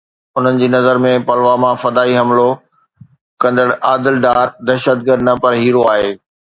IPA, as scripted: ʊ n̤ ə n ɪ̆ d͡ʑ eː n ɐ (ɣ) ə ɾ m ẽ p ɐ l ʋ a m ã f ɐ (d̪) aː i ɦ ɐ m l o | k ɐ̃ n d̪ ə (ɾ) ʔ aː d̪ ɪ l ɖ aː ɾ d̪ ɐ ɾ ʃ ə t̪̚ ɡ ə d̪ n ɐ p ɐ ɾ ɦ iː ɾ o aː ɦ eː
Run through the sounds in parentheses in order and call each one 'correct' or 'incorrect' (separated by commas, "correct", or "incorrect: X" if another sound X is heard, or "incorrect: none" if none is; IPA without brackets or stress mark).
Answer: incorrect: z, correct, incorrect: ɽ